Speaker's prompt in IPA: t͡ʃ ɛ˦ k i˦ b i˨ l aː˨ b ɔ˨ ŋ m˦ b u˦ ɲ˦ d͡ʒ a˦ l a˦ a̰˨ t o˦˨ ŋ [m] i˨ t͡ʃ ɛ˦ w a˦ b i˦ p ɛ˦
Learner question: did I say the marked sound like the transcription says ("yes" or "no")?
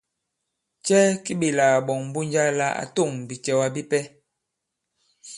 no